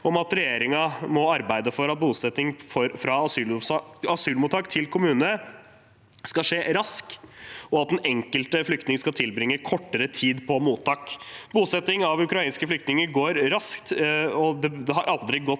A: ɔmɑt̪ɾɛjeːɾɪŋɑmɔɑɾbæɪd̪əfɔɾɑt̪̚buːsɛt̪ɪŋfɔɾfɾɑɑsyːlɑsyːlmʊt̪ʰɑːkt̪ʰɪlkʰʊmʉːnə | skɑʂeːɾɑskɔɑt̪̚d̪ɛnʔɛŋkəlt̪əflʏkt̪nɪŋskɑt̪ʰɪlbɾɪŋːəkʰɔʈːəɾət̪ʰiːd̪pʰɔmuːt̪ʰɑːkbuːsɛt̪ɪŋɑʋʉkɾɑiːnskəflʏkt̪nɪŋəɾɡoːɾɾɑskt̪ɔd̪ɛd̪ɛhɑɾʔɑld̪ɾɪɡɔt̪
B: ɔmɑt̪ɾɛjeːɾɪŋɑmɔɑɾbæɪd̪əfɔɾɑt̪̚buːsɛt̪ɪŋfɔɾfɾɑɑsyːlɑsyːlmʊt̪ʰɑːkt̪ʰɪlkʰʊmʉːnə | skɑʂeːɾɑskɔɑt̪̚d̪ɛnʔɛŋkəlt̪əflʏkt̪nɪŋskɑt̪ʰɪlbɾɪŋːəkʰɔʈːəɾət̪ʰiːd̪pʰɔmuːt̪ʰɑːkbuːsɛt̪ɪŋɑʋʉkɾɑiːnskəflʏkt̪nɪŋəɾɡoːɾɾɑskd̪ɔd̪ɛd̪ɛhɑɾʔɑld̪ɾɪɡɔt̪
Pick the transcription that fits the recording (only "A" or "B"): A